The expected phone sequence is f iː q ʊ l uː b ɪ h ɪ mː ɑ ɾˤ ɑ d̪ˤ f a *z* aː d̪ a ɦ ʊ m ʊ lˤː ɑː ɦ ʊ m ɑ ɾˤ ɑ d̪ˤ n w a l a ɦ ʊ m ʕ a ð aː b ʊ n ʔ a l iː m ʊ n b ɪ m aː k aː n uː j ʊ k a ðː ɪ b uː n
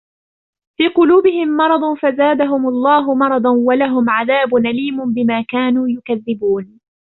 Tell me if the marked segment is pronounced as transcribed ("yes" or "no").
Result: yes